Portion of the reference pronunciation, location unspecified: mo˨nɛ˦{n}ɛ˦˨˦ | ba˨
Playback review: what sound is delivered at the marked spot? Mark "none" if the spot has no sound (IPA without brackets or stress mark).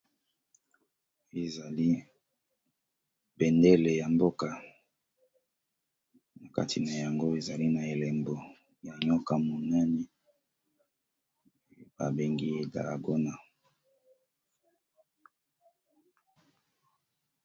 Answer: n